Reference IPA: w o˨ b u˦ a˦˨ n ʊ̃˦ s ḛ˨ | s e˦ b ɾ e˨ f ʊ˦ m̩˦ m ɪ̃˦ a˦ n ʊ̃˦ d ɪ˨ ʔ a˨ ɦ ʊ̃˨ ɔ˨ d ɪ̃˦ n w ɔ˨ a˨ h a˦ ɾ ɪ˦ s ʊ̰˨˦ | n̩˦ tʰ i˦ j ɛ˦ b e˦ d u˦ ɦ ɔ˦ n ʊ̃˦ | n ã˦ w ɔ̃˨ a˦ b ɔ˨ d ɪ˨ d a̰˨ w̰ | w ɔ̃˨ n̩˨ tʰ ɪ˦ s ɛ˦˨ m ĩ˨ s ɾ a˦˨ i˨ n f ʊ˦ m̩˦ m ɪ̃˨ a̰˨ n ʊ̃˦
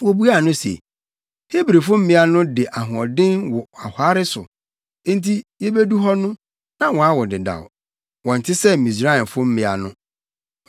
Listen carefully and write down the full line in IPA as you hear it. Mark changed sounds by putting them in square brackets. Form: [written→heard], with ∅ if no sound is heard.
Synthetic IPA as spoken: w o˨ b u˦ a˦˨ n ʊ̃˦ s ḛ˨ | [s→h] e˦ b ɾ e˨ f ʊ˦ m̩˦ m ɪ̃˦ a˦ n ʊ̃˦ d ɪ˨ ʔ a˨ ɦ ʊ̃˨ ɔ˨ d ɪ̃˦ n w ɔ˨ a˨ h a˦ ɾ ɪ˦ s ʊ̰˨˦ | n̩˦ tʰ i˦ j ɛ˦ b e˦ d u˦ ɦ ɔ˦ n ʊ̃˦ | n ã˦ w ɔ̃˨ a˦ [b→w] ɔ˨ d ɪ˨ d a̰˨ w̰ | w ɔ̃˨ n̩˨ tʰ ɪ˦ s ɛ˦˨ m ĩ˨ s ɾ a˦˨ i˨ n f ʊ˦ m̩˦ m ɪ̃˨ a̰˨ n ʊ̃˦

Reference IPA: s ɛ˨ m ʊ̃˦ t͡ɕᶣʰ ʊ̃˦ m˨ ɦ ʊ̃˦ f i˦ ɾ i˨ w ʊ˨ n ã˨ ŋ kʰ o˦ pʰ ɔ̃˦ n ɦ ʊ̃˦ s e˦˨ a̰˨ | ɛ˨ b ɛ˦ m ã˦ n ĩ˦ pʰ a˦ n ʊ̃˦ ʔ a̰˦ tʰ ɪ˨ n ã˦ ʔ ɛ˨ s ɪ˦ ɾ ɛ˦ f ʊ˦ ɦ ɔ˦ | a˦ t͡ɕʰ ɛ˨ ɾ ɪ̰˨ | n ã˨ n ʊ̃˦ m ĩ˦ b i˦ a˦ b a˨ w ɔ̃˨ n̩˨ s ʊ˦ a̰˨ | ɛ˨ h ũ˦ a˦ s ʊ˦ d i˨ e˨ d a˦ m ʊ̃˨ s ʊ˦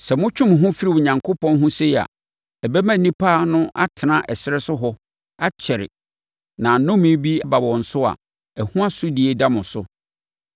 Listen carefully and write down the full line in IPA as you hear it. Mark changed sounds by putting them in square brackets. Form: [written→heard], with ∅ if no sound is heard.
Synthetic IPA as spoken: s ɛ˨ m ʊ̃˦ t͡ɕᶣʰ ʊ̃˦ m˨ ɦ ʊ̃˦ f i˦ ɾ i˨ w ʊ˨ [n→ɲ] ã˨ ŋ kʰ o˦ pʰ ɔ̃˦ n ɦ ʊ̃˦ s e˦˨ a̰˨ | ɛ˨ b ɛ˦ m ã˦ n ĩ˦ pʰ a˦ n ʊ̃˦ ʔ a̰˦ tʰ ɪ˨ n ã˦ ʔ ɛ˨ s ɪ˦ ɾ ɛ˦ [f→s] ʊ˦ ɦ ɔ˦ | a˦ t͡ɕʰ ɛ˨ ɾ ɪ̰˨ | n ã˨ n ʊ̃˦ m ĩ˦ b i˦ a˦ b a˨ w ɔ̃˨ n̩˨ s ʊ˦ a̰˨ | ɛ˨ h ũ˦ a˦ s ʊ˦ d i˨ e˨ d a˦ m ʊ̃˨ s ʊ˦

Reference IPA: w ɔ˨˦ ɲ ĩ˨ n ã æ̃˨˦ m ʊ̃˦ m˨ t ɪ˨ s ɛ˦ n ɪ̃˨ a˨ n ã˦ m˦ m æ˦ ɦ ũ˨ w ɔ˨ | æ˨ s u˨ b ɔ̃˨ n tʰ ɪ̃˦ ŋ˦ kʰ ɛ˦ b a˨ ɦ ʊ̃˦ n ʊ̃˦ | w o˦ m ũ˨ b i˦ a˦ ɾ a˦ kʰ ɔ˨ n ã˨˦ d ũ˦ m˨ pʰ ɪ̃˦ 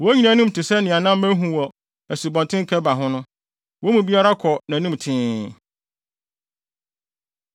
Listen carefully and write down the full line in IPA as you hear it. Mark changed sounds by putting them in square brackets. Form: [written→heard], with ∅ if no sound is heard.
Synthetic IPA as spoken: w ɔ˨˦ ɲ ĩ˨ n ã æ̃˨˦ [m→n] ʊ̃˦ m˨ t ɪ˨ s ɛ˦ n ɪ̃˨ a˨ n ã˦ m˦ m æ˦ ɦ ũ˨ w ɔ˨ | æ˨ s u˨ b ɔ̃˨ n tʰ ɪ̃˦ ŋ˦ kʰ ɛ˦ b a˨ ɦ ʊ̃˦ n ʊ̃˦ | w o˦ m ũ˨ b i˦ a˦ ɾ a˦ kʰ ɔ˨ n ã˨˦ [d→n] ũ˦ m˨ [pʰ→tʰ] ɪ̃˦

